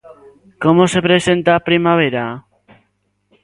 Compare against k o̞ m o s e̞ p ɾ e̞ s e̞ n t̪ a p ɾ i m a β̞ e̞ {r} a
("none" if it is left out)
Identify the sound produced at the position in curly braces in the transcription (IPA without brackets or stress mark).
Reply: ɾ